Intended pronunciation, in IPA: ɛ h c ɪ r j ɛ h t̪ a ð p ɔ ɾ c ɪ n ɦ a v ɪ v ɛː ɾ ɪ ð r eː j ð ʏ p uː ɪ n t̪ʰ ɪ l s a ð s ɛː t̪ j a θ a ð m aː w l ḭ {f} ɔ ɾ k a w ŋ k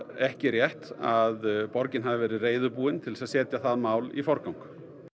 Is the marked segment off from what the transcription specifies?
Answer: no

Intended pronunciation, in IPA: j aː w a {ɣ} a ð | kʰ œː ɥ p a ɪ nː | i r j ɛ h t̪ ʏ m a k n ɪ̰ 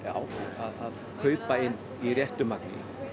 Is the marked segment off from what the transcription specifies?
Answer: yes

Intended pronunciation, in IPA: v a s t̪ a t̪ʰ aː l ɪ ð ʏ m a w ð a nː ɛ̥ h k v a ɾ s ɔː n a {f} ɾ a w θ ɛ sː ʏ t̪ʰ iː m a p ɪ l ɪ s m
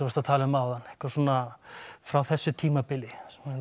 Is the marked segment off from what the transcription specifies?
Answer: no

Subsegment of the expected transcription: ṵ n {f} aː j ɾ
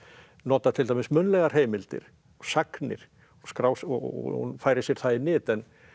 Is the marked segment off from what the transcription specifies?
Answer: no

